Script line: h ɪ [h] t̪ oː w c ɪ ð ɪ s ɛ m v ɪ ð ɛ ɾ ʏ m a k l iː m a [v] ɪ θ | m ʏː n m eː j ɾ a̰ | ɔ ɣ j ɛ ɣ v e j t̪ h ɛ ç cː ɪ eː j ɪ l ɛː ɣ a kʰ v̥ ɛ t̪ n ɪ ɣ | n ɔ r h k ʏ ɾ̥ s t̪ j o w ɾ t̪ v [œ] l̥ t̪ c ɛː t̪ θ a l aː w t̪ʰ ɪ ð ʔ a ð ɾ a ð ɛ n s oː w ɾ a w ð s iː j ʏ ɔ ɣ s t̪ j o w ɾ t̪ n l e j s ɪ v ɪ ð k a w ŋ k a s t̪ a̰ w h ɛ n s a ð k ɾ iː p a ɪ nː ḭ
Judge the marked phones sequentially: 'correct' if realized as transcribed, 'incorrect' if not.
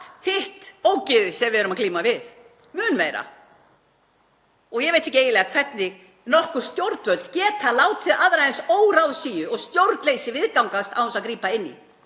correct, correct, correct

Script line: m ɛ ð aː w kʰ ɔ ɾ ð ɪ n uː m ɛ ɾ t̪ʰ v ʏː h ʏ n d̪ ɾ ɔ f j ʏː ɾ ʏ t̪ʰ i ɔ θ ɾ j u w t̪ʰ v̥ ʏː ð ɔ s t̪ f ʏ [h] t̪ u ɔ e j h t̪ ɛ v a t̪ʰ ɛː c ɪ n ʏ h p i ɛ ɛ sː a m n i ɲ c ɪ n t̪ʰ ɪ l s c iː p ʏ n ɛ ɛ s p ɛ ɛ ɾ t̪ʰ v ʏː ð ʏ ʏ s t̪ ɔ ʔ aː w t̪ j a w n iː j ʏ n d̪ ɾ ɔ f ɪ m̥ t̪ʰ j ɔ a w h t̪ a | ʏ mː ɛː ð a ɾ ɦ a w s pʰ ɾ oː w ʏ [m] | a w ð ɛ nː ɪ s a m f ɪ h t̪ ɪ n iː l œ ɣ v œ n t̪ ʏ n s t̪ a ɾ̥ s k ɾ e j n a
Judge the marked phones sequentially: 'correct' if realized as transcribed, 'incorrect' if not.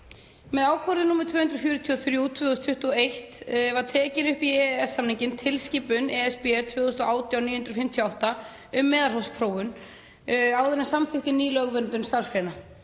correct, incorrect

